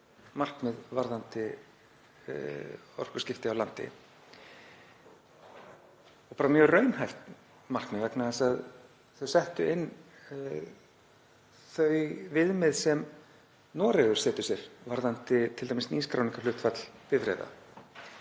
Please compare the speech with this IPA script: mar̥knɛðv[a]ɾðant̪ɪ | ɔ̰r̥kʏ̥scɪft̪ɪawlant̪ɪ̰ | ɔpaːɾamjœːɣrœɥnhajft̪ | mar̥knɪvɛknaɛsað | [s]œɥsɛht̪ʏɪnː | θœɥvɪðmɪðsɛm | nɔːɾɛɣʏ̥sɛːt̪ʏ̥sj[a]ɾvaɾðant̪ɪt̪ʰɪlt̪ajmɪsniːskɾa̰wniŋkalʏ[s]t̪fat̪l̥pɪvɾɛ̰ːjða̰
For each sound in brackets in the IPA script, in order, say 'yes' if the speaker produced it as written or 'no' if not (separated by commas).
yes, no, no, no